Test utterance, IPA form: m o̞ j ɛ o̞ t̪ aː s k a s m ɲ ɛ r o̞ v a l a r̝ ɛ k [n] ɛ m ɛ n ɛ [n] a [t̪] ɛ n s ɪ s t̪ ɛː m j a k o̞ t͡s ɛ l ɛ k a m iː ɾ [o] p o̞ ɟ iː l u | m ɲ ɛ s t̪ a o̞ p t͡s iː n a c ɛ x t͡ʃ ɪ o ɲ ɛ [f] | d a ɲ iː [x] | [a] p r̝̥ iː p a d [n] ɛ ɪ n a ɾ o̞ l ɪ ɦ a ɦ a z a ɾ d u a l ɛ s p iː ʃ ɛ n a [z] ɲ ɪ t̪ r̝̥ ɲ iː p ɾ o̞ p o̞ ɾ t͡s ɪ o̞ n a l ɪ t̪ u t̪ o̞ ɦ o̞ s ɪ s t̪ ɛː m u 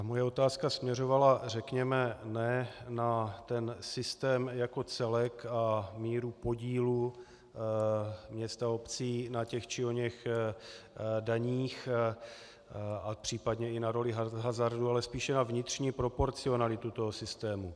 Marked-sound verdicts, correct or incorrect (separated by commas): incorrect, correct, correct, incorrect, incorrect, correct, correct, incorrect, incorrect